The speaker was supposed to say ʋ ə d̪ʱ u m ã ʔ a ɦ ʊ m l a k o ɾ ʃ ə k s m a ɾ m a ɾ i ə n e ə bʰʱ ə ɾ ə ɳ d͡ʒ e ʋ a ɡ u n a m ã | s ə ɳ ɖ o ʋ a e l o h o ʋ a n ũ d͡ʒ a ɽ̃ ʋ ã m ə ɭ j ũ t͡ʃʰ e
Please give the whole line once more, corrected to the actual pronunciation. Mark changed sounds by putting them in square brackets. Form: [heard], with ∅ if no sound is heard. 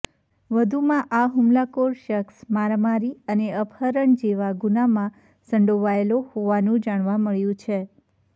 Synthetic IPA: ʋ ə d̪ʱ u m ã ʔ a ɦ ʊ m l a k o ɾ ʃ ə k s m a ɾ m a ɾ i ə n e ə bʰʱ ə ɾ ə ɳ d͡ʒ e ʋ a ɡ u n a m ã | s ə ɳ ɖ o ʋ a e l o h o ʋ a n ũ d͡ʒ a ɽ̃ ʋ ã m ə ɭ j ũ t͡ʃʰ e